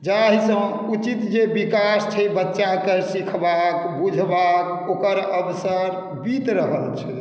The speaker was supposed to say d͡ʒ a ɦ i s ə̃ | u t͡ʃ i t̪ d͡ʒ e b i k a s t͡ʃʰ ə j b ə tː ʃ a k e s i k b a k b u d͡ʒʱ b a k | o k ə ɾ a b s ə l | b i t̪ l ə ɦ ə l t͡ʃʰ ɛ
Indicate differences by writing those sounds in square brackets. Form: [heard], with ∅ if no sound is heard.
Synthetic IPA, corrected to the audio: d͡ʒ a ɦ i s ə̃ | u t͡ʃ i t̪ d͡ʒ e b i k a s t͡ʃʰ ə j b ə tː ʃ a k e s i [kʰ] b a k b u d͡ʒʱ b a k | o k ə ɾ [ə] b s ə [ɾ] | b i t̪ [ɾ] ə ɦ ə l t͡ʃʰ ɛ